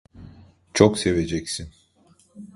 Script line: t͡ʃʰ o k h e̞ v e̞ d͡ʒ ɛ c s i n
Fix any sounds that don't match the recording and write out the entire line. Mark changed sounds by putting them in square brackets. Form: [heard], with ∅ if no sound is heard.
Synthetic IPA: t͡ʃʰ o k [s] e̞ v e̞ d͡ʒ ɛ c s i n